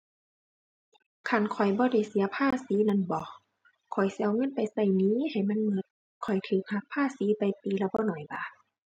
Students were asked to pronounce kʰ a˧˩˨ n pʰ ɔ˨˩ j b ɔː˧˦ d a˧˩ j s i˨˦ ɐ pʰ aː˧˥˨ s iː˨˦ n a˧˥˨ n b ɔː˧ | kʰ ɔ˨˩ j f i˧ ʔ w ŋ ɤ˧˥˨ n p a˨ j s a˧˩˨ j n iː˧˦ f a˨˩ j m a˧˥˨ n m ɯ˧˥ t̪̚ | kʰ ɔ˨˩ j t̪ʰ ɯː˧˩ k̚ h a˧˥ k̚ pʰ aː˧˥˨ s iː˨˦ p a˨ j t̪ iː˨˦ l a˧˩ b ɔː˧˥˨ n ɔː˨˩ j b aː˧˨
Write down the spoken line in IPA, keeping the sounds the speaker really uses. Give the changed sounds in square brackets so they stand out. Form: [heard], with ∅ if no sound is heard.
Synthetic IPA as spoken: kʰ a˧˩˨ n [kʰ] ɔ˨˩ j b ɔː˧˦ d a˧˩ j s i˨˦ ɐ pʰ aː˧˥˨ s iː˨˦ n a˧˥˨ n b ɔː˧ | kʰ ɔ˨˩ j [s] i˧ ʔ w ŋ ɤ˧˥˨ n p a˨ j s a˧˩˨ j n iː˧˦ [h] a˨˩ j m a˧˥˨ n m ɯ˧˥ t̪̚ | kʰ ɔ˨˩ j t̪ʰ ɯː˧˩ k̚ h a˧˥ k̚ pʰ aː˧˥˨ s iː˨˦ p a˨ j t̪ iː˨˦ l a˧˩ b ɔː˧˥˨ n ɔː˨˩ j b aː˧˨

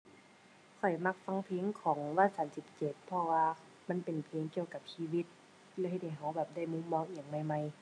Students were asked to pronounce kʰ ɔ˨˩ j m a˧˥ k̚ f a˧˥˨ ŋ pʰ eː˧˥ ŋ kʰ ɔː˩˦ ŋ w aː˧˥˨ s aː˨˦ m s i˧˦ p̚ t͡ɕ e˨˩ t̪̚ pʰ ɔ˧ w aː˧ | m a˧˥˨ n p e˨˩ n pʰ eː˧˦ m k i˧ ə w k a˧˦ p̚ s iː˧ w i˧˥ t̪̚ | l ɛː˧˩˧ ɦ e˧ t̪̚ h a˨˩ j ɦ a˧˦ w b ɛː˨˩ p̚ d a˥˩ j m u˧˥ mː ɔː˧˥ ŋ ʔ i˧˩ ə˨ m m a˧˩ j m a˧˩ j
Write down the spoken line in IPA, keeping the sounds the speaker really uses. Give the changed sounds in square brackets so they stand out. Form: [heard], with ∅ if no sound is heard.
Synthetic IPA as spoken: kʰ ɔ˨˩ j m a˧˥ k̚ f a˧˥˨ ŋ pʰ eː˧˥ ŋ kʰ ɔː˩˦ ŋ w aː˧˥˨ s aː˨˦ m s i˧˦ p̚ t͡ɕ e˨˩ t̪̚ pʰ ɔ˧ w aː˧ | m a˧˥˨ n p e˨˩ n pʰ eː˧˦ [ŋ] k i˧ ə w k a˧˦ p̚ s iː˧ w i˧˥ t̪̚ | l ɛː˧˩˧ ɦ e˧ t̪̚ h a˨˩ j ɦ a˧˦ w b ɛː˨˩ p̚ d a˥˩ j m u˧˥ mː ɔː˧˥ ŋ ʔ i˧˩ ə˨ [ŋ] m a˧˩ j m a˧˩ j

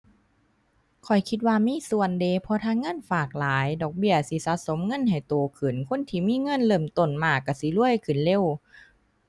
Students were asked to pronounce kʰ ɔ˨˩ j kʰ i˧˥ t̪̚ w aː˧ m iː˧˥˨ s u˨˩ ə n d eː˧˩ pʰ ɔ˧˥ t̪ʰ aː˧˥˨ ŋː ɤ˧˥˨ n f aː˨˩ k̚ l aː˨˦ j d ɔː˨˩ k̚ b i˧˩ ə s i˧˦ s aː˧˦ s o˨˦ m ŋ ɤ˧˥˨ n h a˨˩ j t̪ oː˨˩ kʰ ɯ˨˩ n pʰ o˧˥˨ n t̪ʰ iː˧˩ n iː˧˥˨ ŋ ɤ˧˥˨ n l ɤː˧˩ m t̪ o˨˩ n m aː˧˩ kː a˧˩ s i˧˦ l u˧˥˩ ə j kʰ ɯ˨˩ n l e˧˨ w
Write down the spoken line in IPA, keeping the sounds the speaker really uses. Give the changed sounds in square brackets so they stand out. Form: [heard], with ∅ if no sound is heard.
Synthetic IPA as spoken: kʰ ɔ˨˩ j kʰ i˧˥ t̪̚ w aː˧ m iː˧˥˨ s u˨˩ ə n d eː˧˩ pʰ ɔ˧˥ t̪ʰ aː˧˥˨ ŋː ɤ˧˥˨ n f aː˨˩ k̚ l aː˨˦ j d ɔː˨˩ k̚ b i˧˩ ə s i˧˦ s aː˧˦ s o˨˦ m ŋ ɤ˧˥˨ n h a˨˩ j t̪ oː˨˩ kʰ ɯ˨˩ n [kʰ] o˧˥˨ n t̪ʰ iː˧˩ [m] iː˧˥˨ ŋ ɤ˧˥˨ n l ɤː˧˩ m t̪ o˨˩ n m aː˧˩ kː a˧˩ s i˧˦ l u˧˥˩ ə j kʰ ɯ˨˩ n l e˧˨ w

